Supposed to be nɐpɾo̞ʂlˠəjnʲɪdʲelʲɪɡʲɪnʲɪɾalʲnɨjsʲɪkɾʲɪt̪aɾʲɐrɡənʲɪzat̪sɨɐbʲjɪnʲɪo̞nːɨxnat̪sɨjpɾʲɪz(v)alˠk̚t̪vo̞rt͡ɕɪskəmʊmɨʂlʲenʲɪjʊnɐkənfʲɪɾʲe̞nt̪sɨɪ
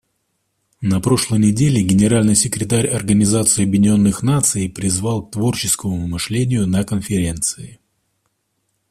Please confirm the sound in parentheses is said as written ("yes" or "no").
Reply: yes